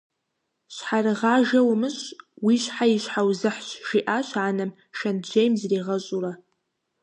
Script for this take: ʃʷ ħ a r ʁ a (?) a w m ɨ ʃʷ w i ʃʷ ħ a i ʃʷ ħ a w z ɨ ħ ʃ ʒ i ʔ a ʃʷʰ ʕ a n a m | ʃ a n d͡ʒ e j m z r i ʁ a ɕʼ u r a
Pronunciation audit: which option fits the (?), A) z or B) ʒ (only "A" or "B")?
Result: B